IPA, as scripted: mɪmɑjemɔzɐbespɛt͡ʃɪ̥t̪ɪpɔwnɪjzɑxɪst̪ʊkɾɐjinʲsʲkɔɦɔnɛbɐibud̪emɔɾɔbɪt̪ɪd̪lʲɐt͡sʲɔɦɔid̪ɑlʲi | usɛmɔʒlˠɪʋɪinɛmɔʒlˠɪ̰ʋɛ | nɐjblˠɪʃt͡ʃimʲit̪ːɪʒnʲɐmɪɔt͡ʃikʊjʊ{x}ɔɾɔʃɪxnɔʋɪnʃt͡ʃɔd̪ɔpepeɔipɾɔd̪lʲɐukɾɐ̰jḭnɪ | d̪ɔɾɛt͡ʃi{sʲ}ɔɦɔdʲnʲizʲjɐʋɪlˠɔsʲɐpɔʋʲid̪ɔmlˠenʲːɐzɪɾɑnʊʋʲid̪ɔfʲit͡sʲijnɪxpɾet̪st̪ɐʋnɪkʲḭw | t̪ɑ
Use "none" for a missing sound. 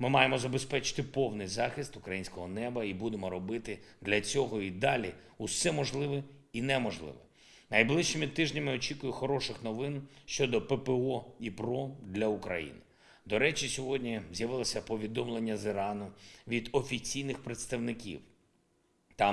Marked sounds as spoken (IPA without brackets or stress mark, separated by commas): x, sʲ